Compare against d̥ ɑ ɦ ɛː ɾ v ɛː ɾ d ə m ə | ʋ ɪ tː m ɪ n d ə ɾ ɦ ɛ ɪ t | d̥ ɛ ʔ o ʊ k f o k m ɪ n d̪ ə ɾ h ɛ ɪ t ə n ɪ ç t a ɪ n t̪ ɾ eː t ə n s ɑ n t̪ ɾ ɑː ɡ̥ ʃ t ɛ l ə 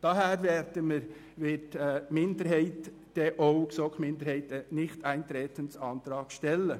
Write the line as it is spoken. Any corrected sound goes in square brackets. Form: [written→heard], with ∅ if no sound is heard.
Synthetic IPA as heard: d̥ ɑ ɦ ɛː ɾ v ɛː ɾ d ə m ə | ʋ ɪ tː m ɪ n d ə ɾ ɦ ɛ ɪ t | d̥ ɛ ʔ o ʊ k [f→s] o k m ɪ n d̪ ə ɾ h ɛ ɪ t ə n ɪ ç t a ɪ n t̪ ɾ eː t ə n s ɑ n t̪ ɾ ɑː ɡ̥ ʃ t ɛ l ə